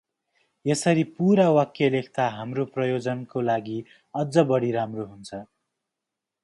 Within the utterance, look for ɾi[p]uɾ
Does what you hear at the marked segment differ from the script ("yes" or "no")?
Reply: no